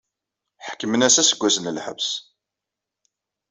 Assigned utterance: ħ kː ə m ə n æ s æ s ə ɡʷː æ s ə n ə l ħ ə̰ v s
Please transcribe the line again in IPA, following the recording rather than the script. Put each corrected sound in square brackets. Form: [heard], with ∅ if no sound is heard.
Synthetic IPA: ħ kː ə m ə n æ s æ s ə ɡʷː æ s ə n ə l ħ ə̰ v s